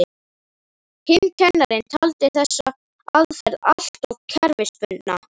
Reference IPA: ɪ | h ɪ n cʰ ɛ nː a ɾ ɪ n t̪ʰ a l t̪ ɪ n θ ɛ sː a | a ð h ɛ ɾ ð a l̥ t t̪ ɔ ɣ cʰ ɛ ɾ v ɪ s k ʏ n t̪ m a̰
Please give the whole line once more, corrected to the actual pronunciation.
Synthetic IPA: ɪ | h ɪ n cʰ ɛ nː a ɾ ɪ n t̪ʰ a l t̪ ɪ θ ɛ sː a | a ð f ɛ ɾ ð a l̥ t t̪ ɔ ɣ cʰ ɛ ɾ v ɪ s p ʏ n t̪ n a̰